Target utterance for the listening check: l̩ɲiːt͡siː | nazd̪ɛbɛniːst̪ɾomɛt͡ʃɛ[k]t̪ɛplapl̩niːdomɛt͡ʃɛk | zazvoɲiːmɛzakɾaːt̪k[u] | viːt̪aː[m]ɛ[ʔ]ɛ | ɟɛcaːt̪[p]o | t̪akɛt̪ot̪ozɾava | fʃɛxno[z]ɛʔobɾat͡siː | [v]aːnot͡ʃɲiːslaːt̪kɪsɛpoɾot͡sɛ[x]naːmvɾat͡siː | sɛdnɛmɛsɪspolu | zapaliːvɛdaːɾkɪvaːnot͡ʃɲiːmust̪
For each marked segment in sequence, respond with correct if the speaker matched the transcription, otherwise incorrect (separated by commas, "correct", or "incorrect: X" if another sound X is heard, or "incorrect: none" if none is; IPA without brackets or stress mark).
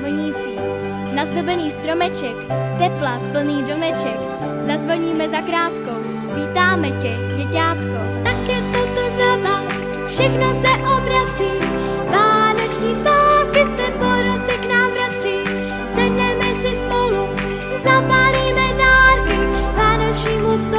correct, incorrect: o, correct, incorrect: c, incorrect: k, incorrect: s, correct, incorrect: k